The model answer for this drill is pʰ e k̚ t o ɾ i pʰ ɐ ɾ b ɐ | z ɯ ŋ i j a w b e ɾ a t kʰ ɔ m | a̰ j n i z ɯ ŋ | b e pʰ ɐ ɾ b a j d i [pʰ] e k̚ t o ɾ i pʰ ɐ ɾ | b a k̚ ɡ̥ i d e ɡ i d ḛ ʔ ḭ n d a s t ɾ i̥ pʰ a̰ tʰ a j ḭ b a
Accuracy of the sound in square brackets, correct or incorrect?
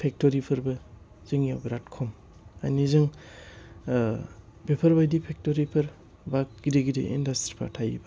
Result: correct